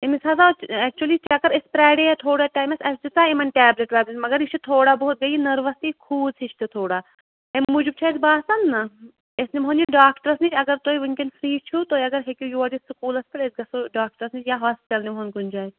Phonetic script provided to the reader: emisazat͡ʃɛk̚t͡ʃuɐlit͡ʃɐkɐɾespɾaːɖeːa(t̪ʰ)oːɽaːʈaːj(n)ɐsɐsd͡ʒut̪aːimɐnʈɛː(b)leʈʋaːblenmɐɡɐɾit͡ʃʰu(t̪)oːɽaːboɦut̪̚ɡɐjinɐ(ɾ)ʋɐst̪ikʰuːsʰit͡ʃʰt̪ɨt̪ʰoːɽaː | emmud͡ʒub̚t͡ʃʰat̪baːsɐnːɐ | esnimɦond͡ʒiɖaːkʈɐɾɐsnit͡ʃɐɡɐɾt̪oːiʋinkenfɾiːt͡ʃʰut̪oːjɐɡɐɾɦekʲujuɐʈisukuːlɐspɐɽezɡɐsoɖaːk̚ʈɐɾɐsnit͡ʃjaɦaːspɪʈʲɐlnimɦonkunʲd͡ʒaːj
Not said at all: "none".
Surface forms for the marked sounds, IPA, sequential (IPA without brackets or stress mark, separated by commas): t̪ʰ, m, b, t̪ʰ, ɾ